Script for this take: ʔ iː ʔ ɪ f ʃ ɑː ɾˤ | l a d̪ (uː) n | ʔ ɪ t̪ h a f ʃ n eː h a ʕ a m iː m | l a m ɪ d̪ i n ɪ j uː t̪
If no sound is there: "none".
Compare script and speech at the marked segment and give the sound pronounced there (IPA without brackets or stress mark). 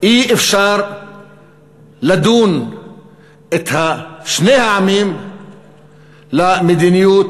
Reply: uː